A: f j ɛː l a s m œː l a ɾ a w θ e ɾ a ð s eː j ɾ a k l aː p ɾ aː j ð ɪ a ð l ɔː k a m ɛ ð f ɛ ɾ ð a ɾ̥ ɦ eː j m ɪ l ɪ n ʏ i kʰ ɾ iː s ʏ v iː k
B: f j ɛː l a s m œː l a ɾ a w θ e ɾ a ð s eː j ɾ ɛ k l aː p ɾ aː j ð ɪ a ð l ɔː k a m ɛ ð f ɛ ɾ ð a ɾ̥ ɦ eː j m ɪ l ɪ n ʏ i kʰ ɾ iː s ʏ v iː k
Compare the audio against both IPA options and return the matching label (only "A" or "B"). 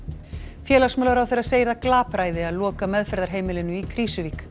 A